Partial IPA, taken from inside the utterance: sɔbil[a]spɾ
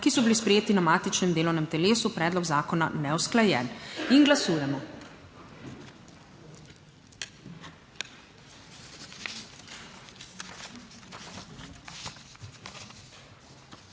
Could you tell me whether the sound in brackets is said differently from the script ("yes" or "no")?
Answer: yes